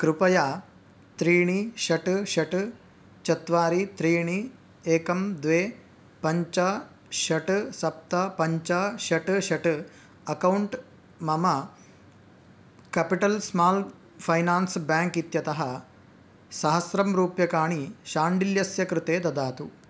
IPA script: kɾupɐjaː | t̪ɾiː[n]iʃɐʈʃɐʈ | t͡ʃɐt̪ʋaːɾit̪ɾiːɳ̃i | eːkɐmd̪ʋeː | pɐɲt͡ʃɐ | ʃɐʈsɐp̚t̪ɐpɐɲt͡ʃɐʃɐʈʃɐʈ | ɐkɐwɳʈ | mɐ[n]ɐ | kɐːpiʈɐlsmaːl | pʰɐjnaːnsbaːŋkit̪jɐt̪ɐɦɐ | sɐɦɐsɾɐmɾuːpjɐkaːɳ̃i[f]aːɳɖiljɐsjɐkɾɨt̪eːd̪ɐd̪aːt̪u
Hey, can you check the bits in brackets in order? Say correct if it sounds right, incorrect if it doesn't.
incorrect, incorrect, incorrect

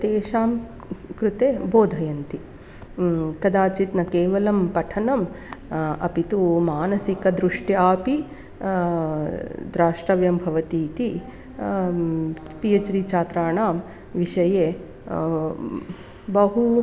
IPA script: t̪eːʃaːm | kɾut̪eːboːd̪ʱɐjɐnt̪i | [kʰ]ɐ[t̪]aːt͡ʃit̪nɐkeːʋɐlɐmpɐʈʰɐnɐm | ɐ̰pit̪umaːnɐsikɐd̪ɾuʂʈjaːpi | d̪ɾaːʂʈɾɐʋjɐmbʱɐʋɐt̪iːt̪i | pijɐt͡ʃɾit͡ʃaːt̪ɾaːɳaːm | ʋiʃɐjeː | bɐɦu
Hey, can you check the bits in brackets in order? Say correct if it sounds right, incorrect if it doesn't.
incorrect, incorrect

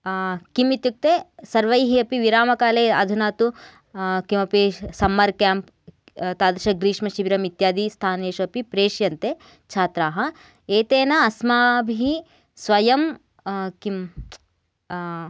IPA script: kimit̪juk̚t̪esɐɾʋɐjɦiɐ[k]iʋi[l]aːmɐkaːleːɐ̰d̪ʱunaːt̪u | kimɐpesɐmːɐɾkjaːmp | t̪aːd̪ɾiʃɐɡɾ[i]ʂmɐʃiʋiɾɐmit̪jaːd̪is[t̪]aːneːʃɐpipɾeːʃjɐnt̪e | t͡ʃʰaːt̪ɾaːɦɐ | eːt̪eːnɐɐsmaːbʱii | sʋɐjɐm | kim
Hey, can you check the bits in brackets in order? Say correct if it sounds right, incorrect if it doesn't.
incorrect, incorrect, incorrect, incorrect

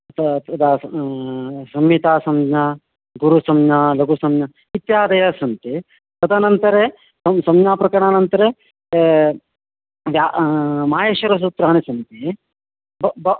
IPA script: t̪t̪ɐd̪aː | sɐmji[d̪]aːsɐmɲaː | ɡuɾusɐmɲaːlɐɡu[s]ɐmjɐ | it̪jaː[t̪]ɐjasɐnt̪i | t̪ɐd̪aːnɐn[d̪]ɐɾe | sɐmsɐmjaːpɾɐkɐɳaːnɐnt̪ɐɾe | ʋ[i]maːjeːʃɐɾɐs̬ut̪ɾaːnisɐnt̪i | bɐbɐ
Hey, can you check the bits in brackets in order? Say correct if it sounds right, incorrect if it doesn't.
incorrect, correct, incorrect, incorrect, incorrect

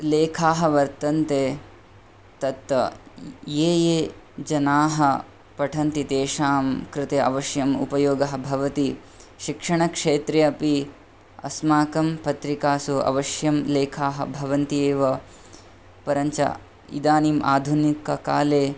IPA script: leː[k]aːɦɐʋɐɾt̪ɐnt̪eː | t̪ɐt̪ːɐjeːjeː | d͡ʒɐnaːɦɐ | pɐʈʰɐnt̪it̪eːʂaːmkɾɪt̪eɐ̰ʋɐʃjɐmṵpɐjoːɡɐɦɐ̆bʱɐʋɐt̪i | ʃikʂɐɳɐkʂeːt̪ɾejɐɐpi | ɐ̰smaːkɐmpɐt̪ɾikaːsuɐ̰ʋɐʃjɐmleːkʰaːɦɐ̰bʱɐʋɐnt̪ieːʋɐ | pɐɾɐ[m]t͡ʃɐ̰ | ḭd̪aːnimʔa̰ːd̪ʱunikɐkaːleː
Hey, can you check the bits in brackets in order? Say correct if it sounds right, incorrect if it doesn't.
incorrect, incorrect

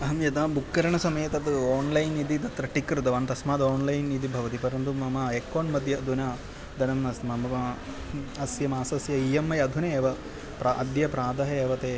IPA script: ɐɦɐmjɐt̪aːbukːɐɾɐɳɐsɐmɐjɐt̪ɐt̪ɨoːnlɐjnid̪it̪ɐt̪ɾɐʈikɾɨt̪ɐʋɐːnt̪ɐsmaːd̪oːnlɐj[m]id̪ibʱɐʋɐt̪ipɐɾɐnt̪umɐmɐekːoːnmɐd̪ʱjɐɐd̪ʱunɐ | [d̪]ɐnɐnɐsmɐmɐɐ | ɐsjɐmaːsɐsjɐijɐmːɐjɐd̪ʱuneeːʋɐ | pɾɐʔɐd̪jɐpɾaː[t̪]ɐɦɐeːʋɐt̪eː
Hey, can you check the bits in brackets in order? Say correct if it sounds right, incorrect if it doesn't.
incorrect, correct, incorrect

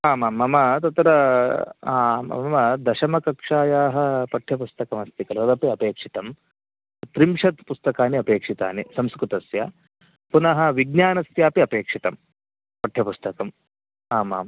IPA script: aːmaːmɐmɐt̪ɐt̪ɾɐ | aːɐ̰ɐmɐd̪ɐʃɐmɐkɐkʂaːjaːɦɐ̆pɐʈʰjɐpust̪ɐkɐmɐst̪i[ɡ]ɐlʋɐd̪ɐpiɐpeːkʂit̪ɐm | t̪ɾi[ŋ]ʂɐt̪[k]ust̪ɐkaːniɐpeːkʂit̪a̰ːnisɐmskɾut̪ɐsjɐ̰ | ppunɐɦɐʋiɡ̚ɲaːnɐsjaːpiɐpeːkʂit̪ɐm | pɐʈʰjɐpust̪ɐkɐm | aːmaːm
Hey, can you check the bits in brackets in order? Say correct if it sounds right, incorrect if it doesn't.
incorrect, incorrect, incorrect

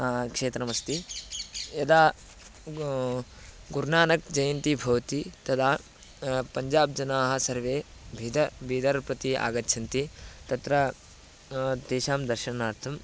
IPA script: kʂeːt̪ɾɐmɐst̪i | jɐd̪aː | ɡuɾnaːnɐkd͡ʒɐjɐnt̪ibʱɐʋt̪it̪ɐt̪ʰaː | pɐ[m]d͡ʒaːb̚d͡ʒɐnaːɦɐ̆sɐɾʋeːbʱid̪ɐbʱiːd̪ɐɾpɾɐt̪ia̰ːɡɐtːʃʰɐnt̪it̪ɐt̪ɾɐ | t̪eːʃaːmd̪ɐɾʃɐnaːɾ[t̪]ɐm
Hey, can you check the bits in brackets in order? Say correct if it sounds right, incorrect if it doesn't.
incorrect, incorrect

